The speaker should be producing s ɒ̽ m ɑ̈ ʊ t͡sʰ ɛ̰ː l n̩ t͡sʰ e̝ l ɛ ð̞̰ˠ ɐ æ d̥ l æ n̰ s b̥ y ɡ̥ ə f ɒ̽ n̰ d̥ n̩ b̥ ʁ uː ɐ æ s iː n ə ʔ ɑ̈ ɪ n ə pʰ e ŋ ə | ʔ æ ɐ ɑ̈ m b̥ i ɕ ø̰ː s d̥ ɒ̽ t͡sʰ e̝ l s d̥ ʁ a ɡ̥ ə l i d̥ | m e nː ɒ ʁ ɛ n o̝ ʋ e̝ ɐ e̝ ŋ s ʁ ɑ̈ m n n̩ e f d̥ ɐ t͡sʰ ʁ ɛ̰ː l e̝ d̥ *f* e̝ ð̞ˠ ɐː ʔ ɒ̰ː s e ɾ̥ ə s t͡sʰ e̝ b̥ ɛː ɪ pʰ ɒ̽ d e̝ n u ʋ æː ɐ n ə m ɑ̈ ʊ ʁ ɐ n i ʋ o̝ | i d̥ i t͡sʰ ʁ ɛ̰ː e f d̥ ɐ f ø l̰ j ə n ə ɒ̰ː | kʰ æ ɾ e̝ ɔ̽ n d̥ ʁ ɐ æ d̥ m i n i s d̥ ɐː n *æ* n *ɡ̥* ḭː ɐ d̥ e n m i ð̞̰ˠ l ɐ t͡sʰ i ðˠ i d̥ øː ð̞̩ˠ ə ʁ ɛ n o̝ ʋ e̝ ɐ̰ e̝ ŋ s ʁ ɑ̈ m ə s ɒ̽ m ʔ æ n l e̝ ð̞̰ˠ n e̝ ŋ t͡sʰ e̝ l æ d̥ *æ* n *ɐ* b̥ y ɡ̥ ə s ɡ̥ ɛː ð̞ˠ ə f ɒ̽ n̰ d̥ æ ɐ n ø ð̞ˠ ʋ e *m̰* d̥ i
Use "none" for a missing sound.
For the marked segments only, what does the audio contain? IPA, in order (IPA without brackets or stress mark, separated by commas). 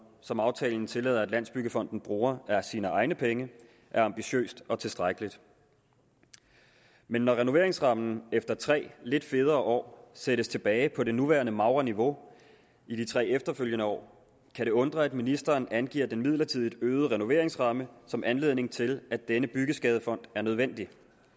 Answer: f, æ, ɡ̥, e, ə, n̰